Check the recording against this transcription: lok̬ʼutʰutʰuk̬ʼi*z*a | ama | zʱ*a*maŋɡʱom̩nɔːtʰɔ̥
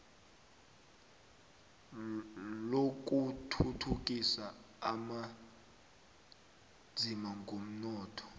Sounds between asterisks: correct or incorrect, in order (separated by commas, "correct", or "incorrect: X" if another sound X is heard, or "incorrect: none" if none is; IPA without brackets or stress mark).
incorrect: s, incorrect: i